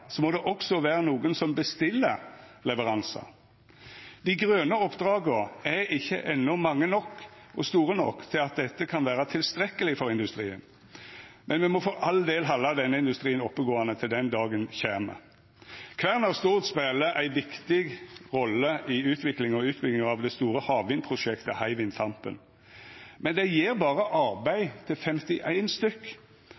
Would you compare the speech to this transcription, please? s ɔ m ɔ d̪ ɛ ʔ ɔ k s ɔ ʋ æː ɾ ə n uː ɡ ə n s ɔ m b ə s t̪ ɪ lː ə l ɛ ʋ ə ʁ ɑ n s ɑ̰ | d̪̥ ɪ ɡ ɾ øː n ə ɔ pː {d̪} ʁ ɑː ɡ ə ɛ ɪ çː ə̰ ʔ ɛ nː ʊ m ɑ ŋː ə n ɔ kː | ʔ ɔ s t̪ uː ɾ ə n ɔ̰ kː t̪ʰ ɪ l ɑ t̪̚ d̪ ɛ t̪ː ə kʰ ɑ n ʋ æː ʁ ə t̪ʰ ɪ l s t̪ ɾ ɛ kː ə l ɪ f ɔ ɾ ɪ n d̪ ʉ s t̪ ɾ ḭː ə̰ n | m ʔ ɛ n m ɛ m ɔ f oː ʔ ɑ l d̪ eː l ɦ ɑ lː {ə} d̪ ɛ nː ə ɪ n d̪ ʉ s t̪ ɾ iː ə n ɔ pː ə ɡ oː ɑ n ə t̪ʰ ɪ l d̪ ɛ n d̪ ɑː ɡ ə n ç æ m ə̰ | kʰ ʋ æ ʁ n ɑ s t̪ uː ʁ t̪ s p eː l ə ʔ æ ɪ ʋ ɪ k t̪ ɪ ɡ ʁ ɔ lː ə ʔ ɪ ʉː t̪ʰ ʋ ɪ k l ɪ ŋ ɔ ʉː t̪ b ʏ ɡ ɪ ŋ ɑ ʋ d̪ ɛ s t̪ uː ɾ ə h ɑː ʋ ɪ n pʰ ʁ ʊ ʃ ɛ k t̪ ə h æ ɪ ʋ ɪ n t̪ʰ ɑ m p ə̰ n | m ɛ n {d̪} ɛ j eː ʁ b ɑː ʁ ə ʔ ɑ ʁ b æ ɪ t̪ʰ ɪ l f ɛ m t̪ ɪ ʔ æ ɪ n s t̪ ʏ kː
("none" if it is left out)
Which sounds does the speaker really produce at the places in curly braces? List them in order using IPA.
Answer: d̪, ɑ, d̪

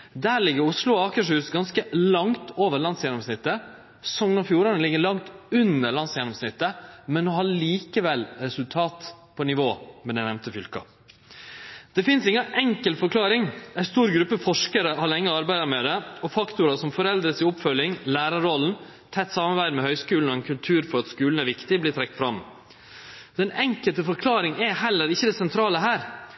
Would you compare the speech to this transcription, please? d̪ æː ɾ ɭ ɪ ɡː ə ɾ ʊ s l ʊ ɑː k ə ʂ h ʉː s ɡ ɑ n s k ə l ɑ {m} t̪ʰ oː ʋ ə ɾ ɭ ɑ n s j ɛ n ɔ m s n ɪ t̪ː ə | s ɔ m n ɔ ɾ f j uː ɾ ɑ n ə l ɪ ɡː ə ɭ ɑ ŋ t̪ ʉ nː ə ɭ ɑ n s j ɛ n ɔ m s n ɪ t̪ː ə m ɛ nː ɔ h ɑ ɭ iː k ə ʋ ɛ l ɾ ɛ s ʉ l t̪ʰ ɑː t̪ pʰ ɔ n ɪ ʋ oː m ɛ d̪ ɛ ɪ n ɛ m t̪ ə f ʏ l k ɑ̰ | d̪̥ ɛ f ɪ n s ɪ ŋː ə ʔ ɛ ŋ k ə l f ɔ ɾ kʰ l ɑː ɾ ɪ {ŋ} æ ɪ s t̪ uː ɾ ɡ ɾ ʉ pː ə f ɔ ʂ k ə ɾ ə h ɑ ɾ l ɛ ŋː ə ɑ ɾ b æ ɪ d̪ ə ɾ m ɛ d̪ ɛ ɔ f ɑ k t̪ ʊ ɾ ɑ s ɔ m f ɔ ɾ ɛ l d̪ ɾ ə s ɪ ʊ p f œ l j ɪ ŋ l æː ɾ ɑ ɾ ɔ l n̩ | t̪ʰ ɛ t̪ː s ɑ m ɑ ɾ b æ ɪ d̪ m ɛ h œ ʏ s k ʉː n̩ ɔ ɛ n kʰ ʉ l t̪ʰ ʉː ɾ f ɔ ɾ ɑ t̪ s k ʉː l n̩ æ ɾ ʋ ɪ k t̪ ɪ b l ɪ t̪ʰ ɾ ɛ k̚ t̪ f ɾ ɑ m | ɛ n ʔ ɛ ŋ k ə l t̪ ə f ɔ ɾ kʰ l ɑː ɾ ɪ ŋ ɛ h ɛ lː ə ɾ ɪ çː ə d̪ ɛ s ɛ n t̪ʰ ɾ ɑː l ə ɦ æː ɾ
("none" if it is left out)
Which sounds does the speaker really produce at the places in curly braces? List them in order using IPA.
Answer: ŋ, ŋ

